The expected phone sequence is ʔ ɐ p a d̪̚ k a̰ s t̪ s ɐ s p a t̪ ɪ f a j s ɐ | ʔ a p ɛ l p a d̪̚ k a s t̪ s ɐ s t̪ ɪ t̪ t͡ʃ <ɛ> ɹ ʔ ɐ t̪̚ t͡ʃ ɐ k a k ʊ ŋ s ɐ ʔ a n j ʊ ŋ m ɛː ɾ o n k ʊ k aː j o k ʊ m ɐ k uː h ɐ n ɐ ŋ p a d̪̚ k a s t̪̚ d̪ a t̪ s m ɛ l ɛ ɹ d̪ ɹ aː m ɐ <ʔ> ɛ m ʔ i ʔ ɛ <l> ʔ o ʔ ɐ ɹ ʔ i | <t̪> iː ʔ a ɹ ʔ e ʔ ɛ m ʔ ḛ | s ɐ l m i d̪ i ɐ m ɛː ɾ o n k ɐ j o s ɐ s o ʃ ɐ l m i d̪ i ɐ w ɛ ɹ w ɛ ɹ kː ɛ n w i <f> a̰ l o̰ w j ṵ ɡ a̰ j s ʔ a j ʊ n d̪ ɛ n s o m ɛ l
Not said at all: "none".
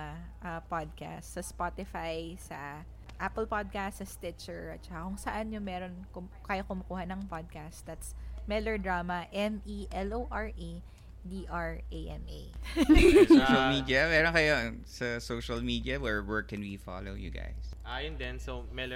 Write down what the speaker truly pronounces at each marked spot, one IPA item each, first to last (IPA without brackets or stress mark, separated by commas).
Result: ɛ, ʔ, l, d̪, f